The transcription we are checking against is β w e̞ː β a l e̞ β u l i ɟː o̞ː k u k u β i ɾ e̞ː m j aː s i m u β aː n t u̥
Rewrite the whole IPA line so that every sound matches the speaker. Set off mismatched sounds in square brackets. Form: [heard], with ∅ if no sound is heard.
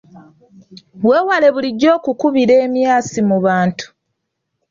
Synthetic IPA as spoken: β w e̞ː [w] a l e̞ β u l i ɟː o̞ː k u k u β i ɾ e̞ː m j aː s i m u β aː n t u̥